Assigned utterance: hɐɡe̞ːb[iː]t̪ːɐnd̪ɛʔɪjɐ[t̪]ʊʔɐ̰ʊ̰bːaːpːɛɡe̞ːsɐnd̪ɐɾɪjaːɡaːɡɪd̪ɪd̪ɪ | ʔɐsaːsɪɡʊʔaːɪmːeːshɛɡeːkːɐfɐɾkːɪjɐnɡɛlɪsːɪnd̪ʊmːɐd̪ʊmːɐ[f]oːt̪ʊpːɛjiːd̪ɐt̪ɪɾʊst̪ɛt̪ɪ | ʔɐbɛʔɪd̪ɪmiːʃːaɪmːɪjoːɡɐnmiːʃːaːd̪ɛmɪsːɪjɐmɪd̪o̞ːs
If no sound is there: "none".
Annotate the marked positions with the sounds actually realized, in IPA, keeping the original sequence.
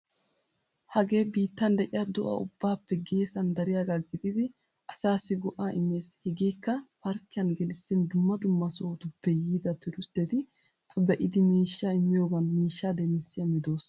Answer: iː, d̪, s

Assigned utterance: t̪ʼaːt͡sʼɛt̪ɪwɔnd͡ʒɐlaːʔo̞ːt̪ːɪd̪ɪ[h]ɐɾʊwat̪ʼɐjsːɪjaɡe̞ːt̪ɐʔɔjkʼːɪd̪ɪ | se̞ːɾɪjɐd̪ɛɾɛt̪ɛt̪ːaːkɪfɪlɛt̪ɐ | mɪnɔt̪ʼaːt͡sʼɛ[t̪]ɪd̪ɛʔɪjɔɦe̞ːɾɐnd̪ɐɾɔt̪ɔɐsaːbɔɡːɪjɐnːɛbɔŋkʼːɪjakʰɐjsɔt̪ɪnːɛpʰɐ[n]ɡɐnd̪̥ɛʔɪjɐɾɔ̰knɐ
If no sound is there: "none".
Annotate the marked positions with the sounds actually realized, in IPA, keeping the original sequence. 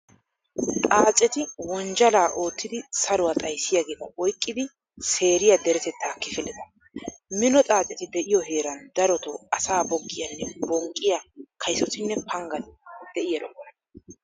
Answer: s, t̪, ŋ

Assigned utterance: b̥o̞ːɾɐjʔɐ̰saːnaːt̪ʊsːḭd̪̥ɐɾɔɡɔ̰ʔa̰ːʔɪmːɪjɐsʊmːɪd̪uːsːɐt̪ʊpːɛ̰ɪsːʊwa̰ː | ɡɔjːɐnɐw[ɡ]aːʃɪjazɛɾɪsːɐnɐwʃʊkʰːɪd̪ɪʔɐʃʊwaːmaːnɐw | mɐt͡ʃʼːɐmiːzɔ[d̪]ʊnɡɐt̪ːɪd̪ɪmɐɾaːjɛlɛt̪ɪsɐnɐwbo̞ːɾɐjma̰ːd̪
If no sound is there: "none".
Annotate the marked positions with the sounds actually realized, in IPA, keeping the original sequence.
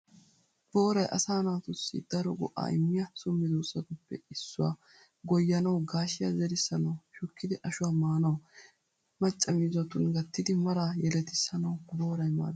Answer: ɡ, t̪

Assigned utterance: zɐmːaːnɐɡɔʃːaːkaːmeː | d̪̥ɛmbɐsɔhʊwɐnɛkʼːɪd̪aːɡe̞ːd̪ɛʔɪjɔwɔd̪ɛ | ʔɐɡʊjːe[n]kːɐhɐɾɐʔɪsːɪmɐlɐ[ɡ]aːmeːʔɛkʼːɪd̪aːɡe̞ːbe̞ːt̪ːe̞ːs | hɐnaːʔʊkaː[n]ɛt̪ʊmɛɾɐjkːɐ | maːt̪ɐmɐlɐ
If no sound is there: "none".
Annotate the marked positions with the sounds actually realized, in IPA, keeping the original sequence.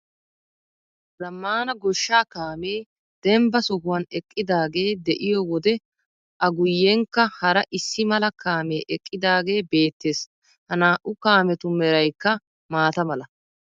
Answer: ŋ, k, m

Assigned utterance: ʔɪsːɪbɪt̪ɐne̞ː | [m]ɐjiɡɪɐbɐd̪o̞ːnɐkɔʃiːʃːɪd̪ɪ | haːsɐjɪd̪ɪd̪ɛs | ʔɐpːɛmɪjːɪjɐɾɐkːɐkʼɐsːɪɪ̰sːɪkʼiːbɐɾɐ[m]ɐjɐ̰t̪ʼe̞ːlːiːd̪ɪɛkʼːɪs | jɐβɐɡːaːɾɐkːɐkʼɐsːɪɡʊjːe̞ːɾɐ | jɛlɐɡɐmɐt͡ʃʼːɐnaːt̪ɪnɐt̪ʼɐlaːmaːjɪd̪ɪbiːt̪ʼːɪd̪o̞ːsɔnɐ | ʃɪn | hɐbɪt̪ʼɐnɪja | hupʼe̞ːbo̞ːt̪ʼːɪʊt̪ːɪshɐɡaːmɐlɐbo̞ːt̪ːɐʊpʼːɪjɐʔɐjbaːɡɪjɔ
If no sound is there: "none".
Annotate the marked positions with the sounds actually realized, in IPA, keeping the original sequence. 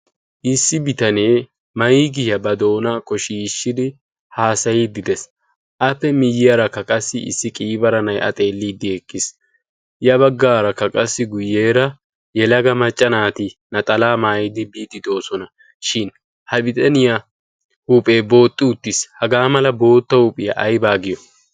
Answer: m, n

